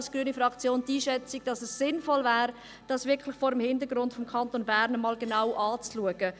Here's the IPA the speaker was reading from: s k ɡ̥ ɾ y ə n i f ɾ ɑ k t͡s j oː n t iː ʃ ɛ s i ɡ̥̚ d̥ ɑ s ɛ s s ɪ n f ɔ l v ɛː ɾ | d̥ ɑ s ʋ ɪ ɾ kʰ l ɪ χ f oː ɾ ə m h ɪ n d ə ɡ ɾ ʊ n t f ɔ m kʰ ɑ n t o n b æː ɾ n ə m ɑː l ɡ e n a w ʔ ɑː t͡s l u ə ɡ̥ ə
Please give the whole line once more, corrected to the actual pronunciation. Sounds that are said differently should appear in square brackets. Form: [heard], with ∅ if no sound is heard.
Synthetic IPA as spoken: s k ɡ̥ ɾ y ə n i f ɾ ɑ k t͡s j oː n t iː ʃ ɛ [t͡s] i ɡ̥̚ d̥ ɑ s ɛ s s ɪ n f ɔ l v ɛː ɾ | d̥ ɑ s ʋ ɪ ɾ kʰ l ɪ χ f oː ɾ ə m h ɪ n d ə ɡ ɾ ʊ n t f ɔ m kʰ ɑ n t o n b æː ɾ n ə m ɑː l ɡ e n a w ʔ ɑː t͡s l u ə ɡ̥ ə